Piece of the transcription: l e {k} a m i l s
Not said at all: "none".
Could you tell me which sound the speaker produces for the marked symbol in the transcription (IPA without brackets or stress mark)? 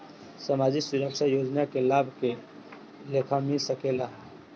kʰ